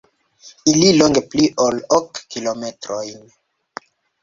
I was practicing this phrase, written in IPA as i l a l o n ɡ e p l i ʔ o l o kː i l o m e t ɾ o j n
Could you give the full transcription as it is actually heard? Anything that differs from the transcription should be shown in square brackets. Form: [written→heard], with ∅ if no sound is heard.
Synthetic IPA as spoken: i l [a→i] l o [n→ŋ] ɡ e p l i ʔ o l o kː i l o m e t ɾ o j n